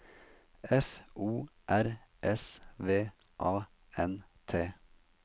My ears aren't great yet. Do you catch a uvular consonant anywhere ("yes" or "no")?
no